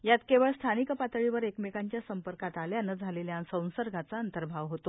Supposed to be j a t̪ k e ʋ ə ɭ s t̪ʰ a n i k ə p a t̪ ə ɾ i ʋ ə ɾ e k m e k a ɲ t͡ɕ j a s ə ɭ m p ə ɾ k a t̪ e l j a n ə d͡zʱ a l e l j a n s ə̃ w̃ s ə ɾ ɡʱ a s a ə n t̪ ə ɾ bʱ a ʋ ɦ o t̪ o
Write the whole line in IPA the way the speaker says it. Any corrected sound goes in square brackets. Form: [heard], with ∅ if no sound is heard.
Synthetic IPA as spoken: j a t̪ k e ʋ ə ɭ s t̪ʰ a n i k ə p a t̪ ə [ɭ] i ʋ ə ɾ e k m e k a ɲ t͡ɕ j a s ə [∅] m p ə ɾ k a t̪ [a] l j a n ə d͡zʱ a l e l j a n s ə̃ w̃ s ə ɾ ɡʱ a [t͡s] a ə n t̪ ə ɾ bʱ a ʋ ɦ o t̪ o